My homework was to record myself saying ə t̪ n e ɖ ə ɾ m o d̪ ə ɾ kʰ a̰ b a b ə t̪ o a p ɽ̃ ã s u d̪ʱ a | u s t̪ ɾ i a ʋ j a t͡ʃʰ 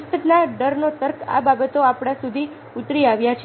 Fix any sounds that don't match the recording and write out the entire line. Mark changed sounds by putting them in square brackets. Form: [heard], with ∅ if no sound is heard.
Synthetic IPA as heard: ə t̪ n [a] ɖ ə ɾ [n] o [t̪] ə ɾ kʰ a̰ b a b ə t̪ o a p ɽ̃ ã s u d̪ʱ [i] | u [∅] t̪ ɾ i a ʋ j a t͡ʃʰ